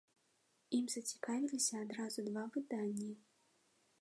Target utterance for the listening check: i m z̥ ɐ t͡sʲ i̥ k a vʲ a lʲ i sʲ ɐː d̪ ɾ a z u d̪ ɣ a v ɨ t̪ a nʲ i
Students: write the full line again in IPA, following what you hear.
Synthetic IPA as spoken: i m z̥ ɐ t͡sʲ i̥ k a vʲ i lʲ i sʲ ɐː d̪ ɾ a z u d̪ v a v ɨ d̪ a nʲː i